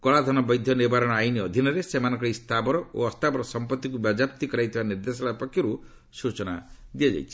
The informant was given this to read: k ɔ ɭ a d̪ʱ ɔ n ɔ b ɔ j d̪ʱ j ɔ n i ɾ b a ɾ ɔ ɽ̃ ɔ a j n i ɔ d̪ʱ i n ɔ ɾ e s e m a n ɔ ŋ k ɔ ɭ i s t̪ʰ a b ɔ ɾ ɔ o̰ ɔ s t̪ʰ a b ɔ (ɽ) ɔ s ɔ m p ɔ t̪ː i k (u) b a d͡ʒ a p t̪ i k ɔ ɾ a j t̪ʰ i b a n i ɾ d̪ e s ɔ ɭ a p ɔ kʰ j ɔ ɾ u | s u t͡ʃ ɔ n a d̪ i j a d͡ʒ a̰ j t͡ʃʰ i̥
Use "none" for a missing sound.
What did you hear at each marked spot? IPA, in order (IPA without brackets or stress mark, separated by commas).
ɾ, u